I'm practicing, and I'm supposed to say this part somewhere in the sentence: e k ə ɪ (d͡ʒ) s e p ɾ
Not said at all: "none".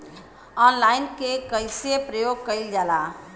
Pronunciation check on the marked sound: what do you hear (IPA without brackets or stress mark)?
none